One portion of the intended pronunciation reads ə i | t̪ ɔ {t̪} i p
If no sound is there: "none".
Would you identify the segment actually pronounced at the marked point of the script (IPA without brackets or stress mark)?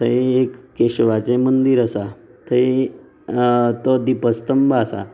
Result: d̪